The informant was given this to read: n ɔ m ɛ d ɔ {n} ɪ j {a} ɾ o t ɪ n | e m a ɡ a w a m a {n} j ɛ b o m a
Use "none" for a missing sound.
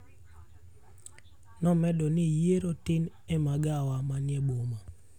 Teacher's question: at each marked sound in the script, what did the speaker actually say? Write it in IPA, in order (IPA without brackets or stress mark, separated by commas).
n, e, n